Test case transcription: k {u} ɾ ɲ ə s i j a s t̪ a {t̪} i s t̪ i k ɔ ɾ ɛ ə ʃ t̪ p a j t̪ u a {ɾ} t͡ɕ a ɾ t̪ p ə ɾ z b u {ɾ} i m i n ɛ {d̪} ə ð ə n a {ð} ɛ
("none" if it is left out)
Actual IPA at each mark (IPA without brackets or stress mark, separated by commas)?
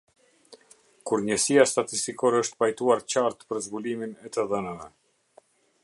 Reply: u, t̪, ɾ, l, t̪, v